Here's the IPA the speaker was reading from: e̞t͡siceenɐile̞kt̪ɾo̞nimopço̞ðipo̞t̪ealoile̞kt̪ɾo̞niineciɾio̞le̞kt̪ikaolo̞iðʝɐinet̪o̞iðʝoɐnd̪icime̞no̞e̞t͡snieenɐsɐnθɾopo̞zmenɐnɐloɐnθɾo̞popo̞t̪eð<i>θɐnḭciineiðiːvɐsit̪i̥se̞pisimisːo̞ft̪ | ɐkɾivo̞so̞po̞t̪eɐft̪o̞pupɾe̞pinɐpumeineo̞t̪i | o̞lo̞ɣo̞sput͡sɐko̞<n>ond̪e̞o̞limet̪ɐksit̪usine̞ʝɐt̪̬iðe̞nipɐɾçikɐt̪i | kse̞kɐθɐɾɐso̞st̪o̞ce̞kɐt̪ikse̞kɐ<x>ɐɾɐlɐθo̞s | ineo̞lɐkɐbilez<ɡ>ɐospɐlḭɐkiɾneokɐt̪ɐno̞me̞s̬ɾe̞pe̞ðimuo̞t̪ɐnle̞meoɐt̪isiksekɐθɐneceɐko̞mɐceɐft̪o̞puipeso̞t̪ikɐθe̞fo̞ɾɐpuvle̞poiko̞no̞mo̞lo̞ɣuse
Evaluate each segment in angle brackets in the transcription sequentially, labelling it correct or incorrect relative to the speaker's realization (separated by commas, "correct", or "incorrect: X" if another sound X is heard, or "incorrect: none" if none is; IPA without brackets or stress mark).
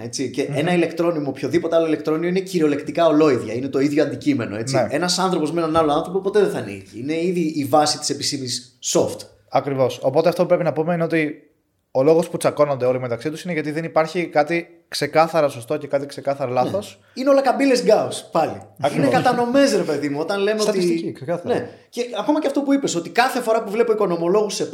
incorrect: e, correct, incorrect: θ, correct